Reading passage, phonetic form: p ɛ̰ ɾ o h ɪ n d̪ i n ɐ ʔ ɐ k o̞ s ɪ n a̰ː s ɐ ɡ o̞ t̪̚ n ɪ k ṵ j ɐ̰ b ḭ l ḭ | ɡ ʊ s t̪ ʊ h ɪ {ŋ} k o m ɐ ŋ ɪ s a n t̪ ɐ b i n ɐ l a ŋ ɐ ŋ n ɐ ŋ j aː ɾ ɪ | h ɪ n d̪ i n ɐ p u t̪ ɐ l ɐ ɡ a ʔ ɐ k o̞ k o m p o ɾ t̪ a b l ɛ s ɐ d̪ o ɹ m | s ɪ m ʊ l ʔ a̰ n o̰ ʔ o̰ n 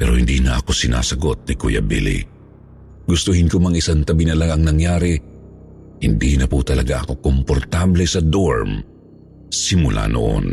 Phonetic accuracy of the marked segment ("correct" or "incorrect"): incorrect